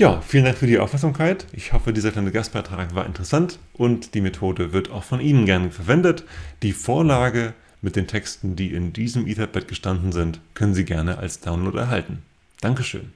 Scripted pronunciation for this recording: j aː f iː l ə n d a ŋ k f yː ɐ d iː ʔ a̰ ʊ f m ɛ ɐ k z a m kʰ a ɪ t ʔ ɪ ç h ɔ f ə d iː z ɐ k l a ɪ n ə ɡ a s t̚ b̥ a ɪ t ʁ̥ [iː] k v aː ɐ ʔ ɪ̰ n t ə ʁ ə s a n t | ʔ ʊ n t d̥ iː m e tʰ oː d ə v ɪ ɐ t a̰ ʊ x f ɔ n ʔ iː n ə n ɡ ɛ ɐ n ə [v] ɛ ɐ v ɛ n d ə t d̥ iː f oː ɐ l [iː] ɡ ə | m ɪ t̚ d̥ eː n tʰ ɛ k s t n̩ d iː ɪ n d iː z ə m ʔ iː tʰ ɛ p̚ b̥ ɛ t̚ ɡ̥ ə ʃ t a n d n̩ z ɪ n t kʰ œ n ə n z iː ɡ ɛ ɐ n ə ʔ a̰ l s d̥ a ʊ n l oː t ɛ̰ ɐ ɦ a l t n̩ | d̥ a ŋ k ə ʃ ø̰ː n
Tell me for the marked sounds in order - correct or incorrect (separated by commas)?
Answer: incorrect, incorrect, incorrect